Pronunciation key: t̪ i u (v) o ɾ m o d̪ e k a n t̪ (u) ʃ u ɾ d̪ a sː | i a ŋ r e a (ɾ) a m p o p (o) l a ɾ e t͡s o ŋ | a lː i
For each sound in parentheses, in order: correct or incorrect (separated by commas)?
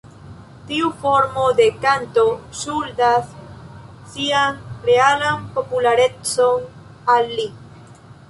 incorrect, incorrect, incorrect, incorrect